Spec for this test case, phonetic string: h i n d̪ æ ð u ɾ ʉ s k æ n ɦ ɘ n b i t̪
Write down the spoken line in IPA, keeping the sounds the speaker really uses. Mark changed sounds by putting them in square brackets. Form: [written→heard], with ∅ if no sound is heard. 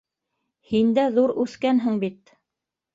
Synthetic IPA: h i n d̪ æ ð u ɾ ʉ [s→θ] k æ n ɦ ɘ [n→ŋ] b i t̪